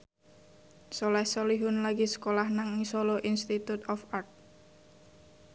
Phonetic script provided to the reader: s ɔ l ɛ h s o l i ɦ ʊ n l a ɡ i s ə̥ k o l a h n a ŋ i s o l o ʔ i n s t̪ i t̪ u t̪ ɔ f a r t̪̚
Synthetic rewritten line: s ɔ l ɛ h s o l i ɦ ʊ n l a ɡ i s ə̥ k o l a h n a ŋ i s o l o ʔ i n s t̪ i t̪ u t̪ ɔ f a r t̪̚